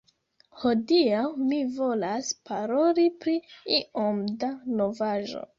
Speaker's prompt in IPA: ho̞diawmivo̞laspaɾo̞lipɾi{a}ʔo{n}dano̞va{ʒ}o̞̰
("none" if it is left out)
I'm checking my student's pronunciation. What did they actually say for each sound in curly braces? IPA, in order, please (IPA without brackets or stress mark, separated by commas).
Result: i, m, ʒ